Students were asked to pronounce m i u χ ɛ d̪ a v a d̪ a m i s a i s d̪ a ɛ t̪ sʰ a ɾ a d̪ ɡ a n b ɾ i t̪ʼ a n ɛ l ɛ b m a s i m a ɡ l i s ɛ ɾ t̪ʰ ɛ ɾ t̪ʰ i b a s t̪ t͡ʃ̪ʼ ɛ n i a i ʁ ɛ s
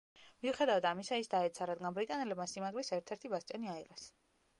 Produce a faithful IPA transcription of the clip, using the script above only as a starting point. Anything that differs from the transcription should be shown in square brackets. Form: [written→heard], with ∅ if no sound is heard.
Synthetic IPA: m i u χ ɛ d̪ a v a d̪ a m i s a i s d̪ a ɛ t̪ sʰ a ɾ a d̪ ɡ a n b ɾ i t̪ʼ a n ɛ l ɛ b m a s i m a ɡ l i s ɛ ɾ t̪ʰ ɛ ɾ t̪ʰ i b a s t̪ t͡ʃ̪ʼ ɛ n i a i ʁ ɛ s

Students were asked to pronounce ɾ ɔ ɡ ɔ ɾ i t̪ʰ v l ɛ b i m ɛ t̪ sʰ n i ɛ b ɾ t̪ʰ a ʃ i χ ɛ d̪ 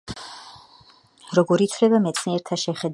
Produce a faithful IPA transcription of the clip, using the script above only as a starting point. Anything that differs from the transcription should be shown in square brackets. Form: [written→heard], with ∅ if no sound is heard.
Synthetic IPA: ɾ ɔ ɡ ɔ ɾ i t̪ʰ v l ɛ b [i→a] m ɛ t̪ sʰ n i ɛ [b→∅] ɾ t̪ʰ a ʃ [i→ɛ] χ ɛ d̪

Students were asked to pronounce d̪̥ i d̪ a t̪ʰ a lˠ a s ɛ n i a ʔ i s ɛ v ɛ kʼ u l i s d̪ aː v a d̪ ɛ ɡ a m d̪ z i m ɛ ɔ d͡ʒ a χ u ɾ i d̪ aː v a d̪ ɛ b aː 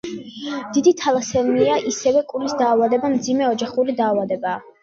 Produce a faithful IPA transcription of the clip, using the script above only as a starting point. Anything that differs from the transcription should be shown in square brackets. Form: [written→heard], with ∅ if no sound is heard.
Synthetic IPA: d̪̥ i d̪ [a→i] t̪ʰ a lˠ a s ɛ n i a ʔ i s ɛ v ɛ kʼ u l i s d̪ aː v a d̪ ɛ [ɡ→b] a m d̪ z i m ɛ ɔ d͡ʒ a χ u ɾ i d̪ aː v a d̪ ɛ b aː

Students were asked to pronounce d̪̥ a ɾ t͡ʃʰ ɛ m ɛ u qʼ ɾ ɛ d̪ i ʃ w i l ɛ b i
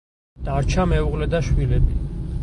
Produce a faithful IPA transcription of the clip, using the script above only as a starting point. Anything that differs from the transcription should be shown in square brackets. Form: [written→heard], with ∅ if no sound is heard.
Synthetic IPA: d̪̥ a ɾ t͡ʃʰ [ɛ→a] m ɛ u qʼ [ɾ→l] ɛ d̪ [i→a] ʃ w i l ɛ b i

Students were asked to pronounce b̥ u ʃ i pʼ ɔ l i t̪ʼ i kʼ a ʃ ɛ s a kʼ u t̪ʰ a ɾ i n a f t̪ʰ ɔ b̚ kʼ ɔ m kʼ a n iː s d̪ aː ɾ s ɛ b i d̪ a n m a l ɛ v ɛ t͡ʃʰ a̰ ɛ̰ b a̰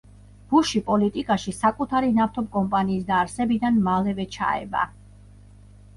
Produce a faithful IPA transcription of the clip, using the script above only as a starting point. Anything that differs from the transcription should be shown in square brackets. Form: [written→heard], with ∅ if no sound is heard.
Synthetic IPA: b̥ u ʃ i pʼ ɔ l i t̪ʼ i kʼ a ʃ [ɛ→i] s a kʼ u t̪ʰ a ɾ i n a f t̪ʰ ɔ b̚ kʼ ɔ m [kʼ→pʼ] a n iː s d̪ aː ɾ s ɛ b i d̪ a n m a l ɛ v ɛ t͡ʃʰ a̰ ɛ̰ b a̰

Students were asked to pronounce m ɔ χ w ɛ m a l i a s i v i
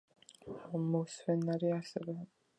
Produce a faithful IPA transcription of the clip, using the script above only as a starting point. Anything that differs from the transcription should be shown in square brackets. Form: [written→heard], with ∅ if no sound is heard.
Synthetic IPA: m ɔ [χ→s] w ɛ [m→n] a [l→ɾ] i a s [i→ɛ] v [i→ɛ]

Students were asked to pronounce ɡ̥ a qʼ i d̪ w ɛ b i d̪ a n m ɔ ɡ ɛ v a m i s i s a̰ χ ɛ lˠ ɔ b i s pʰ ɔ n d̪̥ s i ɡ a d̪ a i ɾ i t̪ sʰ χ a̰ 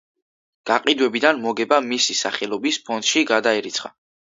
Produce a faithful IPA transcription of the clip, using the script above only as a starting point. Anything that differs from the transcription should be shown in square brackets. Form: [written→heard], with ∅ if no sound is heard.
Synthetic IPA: ɡ̥ a qʼ i d̪ w ɛ b i d̪ a n m ɔ ɡ ɛ [v→b] a m i s i s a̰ χ ɛ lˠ ɔ b i s pʰ ɔ n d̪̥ [s→ʃ] i ɡ a d̪ a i ɾ i t̪ sʰ χ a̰

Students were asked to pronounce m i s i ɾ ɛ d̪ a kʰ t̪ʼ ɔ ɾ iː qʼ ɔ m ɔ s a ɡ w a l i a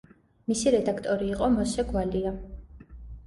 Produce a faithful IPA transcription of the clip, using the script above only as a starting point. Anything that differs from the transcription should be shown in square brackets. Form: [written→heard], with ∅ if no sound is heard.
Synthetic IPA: m i s i ɾ ɛ d̪ a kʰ t̪ʼ ɔ ɾ iː qʼ ɔ m ɔ s [a→ɛ] ɡ w a l i a

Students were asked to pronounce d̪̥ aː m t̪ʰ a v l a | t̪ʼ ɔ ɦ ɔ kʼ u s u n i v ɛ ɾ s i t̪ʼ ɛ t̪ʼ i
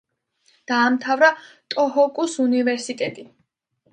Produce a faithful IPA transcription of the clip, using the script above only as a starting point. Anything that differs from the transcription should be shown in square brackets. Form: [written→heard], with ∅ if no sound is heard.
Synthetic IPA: d̪̥ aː m t̪ʰ a v [l→ɾ] a | t̪ʼ ɔ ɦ ɔ kʼ u s u n i v ɛ ɾ s i t̪ʼ ɛ t̪ʼ i

